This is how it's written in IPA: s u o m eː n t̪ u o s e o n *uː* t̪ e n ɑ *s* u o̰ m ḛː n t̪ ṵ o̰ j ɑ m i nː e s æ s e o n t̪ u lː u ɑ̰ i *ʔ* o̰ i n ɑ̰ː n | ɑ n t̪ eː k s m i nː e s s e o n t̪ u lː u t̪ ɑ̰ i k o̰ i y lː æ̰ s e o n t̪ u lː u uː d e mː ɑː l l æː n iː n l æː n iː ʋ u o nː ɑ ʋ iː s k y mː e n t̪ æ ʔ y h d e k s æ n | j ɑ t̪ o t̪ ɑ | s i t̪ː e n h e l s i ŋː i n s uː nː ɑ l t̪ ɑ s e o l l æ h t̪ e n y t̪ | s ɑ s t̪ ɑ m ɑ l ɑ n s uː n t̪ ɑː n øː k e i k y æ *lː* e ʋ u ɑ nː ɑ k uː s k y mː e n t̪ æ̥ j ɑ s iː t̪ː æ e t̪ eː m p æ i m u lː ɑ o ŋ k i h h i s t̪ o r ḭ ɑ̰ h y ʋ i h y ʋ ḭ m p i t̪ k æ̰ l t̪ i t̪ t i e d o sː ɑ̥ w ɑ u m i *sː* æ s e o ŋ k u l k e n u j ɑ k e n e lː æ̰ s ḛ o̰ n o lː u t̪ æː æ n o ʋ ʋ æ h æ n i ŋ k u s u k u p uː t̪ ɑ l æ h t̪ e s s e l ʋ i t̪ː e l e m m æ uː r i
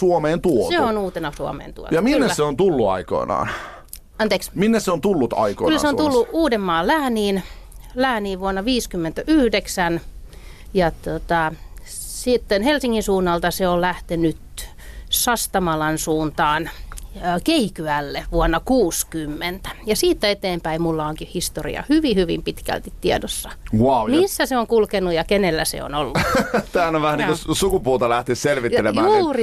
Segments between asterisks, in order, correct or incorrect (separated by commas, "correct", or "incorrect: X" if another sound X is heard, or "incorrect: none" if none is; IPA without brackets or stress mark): correct, correct, incorrect: k, correct, correct